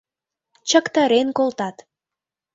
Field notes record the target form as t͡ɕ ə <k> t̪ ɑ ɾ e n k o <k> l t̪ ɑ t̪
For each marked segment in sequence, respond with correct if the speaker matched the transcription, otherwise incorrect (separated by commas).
correct, incorrect